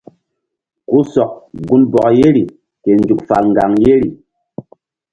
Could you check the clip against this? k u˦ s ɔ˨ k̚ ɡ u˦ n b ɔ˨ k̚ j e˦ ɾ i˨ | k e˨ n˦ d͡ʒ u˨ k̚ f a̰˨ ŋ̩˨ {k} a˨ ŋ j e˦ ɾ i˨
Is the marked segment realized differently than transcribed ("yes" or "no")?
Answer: yes